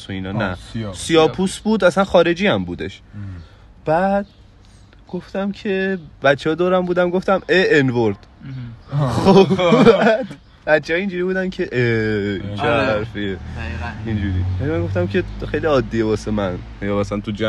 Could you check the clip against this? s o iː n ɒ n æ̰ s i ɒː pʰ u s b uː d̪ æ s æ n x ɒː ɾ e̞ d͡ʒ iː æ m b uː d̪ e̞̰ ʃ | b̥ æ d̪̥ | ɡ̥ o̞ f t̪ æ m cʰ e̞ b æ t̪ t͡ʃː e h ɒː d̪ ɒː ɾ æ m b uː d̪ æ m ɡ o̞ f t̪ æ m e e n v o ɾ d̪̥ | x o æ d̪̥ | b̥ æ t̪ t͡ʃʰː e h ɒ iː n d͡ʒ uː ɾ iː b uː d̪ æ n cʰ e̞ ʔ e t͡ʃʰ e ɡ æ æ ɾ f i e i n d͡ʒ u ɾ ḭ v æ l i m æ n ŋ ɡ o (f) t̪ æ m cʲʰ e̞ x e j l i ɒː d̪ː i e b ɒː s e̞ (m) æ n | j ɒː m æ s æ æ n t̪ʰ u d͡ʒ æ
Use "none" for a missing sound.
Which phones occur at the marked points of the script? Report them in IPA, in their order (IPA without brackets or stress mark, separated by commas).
f, m